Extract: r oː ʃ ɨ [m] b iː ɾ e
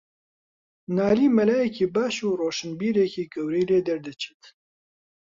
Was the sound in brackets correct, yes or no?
no